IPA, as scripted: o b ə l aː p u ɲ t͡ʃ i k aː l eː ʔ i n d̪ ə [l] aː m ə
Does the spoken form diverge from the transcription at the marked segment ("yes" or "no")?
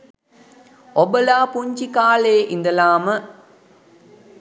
no